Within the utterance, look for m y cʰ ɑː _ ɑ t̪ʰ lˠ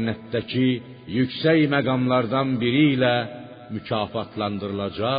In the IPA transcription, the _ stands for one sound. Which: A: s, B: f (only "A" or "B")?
B